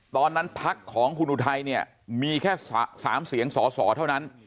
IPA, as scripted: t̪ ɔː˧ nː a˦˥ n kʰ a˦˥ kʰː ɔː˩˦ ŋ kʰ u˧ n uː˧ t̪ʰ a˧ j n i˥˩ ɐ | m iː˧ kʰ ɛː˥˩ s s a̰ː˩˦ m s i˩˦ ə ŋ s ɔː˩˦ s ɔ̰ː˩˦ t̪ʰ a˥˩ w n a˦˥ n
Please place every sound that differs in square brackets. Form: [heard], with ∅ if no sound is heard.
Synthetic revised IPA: t̪ ɔː˧ nː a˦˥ n [pʰ] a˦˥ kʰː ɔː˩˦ ŋ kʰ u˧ n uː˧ t̪ʰ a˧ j n i˥˩ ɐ | m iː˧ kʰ ɛː˥˩ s s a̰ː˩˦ m s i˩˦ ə ŋ s ɔː˩˦ s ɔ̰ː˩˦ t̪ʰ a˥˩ w n a˦˥ n